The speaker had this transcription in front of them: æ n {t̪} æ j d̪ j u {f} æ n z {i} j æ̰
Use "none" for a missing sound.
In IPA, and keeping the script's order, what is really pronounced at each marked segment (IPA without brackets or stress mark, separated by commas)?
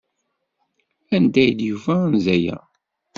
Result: d̪, v, æ